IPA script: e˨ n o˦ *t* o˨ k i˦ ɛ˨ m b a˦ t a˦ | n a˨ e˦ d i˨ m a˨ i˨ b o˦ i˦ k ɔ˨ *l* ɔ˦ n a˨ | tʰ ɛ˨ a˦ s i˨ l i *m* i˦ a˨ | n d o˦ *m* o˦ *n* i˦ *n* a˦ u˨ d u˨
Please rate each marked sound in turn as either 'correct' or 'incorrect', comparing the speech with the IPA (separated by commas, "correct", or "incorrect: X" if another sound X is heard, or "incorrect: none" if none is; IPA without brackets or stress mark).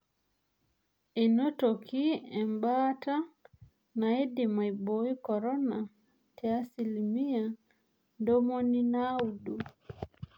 correct, incorrect: ɾ, correct, correct, correct, correct